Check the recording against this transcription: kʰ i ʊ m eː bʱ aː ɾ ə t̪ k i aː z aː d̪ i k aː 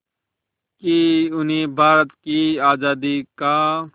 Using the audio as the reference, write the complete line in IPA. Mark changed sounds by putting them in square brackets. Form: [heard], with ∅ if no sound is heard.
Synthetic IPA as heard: [k] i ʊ [n] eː bʱ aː ɾ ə t̪ k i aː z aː d̪ i k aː